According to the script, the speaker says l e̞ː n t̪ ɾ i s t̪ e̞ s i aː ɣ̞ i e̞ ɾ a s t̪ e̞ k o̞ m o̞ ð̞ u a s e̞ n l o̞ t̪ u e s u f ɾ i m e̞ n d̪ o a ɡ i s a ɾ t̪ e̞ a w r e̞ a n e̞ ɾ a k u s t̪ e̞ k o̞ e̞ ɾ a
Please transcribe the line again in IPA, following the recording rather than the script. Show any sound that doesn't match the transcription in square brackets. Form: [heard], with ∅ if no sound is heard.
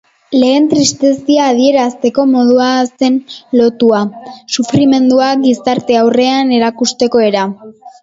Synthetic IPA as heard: l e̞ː n t̪ ɾ i s t̪ e̞ s i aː [ð̞] i e̞ ɾ a s t̪ e̞ k o̞ m o̞ ð̞ u a s e̞ n l o̞ t̪ u [a] s u f ɾ i m e̞ n d̪ [u] a ɡ i s a ɾ t̪ e̞ a w r e̞ a n e̞ ɾ a k u s t̪ e̞ k o̞ e̞ ɾ a